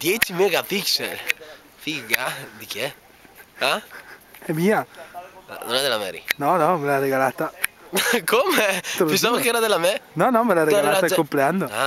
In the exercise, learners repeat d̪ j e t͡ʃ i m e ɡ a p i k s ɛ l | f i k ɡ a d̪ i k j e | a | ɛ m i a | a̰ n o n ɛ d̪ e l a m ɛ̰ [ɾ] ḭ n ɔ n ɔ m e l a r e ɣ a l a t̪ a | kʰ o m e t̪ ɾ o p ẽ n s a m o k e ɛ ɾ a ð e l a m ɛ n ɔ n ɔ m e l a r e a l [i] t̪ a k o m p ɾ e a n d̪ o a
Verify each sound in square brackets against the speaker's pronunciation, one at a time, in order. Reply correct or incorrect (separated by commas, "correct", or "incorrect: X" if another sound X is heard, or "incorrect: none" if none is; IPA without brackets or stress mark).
correct, incorrect: a